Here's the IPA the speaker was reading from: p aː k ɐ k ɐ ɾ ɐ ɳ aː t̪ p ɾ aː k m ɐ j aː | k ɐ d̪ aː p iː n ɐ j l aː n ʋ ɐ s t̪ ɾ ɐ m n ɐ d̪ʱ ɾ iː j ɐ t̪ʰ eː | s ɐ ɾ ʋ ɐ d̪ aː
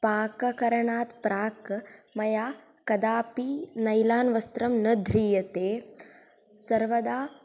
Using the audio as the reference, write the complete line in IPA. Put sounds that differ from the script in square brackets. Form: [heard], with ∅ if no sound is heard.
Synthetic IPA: p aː k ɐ k ɐ ɾ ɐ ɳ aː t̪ p ɾ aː k m ɐ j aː | k ɐ d̪ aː p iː n ɐ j l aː n ʋ ɐ s t̪ ɾ ɐ m n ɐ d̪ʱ ɾ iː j ɐ [t̪] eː | s ɐ ɾ ʋ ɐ d̪ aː